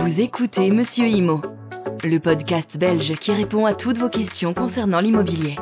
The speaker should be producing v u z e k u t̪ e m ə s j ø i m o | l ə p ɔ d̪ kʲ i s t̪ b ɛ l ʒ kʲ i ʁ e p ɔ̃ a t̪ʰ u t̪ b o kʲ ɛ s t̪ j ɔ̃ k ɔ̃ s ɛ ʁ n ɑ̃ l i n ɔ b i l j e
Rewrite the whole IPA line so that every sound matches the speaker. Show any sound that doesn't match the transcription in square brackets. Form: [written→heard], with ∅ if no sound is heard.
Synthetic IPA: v u z e k u t̪ e m ə s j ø i m o | l ə p ɔ d̪ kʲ [i→a] s t̪ b ɛ l ʒ kʲ i ʁ e p ɔ̃ a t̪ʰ u t̪ [b→v] o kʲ ɛ s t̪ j ɔ̃ k ɔ̃ s ɛ ʁ n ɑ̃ l i [n→m] ɔ b i l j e